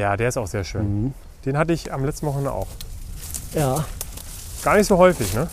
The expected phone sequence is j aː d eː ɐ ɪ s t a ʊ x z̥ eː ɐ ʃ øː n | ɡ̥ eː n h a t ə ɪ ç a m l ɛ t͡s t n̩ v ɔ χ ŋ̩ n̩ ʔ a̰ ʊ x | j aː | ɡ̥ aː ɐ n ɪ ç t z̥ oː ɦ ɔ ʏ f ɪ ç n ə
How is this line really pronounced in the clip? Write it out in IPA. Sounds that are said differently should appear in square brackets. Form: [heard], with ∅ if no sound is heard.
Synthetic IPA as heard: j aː d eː ɐ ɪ s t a ʊ x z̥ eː ɐ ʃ øː n | [d̥] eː n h a t ə ɪ ç a m l ɛ t͡s t n̩ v ɔ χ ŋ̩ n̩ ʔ a̰ ʊ x | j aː | ɡ̥ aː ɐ n ɪ ç t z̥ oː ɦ ɔ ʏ f ɪ ç n ə